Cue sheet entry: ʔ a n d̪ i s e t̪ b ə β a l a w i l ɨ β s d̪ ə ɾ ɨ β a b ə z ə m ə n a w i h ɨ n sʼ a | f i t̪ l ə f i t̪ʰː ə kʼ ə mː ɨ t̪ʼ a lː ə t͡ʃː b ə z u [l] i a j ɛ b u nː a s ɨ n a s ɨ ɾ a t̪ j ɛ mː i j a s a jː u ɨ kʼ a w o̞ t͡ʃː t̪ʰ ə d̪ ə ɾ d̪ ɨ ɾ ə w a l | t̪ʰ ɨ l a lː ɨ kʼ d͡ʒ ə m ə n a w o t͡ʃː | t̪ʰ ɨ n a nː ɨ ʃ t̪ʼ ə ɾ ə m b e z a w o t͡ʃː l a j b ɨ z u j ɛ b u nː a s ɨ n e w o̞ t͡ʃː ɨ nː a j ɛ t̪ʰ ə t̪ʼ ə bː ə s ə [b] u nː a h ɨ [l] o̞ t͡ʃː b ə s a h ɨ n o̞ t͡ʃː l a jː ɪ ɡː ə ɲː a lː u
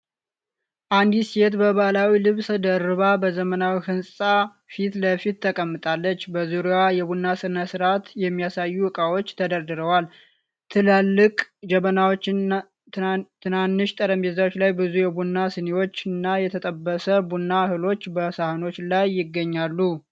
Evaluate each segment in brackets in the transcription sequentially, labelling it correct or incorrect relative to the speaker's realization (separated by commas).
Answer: incorrect, correct, correct